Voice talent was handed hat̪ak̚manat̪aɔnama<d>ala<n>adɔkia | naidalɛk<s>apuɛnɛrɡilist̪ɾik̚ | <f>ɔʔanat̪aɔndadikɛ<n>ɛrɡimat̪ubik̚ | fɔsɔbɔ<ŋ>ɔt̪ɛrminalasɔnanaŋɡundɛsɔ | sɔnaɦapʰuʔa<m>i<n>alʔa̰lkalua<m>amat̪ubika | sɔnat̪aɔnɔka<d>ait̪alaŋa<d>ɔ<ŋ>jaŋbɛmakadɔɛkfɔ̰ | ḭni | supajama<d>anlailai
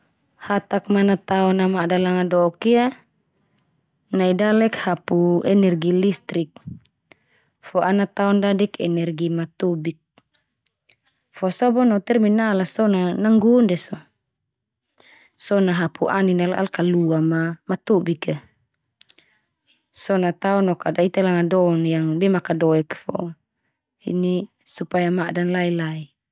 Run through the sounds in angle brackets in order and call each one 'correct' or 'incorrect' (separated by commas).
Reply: correct, incorrect, incorrect, correct, correct, incorrect, incorrect, correct, correct, correct, correct, incorrect, correct